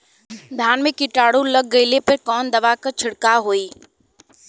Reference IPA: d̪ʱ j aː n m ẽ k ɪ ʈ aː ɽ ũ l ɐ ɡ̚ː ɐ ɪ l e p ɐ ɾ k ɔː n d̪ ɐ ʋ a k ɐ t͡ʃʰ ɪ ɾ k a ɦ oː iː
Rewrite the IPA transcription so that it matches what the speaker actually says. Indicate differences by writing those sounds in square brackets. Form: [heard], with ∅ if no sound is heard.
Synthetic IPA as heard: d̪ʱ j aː n m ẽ k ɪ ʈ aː ɽ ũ l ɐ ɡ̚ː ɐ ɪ l e p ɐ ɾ k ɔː n d̪ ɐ ʋ a k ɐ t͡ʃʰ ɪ [ɽ] k a ɦ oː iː